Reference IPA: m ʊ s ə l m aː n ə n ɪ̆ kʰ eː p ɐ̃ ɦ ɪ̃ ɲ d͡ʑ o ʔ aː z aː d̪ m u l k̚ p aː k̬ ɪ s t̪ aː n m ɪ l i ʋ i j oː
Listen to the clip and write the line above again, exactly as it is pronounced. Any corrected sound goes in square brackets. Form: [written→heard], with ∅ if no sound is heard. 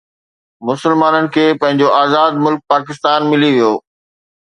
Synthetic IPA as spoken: m ʊ s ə l m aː n ə n ɪ̆ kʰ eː p ɐ̃ ɦ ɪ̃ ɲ d͡ʑ o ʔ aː z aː d̪ m [u→ʊ] l k̚ p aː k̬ ɪ s t̪ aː n m ɪ l i ʋ i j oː